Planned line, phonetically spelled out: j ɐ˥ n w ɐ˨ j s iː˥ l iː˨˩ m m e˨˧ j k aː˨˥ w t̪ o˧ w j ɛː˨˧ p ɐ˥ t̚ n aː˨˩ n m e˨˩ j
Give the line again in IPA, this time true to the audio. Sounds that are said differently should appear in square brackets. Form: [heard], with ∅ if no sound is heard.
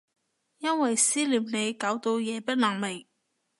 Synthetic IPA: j ɐ˥ n w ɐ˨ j s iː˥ l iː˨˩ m [n] e˨˧ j k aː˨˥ w t̪ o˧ w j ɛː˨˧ p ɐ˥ t̚ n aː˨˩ [ŋ] m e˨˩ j